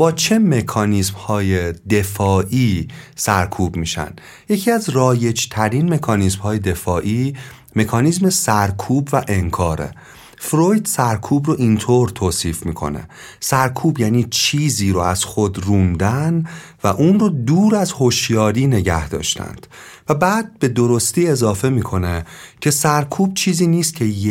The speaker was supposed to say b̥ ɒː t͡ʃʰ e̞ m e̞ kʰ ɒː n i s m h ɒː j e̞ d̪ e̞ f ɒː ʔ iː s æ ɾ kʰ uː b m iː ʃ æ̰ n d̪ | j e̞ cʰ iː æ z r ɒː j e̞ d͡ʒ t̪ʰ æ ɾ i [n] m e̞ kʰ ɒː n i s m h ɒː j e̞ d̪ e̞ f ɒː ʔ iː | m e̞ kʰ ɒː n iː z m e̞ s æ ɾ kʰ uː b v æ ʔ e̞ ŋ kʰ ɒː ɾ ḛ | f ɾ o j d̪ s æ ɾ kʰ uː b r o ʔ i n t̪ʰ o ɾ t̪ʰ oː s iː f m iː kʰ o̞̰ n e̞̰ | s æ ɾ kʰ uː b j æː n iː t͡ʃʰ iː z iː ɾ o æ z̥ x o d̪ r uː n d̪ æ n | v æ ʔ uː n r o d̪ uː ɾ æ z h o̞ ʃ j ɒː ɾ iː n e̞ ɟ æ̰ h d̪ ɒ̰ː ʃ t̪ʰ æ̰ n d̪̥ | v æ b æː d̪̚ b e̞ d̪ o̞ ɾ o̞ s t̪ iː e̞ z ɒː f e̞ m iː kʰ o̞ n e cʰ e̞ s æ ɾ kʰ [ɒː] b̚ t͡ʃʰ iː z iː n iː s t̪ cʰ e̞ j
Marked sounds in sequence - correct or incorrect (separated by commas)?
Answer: correct, incorrect